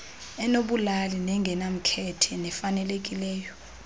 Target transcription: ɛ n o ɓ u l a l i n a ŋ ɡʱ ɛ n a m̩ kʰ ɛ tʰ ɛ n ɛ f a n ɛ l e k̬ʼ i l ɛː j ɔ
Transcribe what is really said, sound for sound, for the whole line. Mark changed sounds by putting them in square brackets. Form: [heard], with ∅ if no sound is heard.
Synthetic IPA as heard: ɛ n o ɓ u l a l i n [ɛ] ŋ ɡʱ ɛ n a m̩ kʰ ɛ tʰ ɛ n ɛ f a n ɛ l e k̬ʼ i l ɛː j ɔ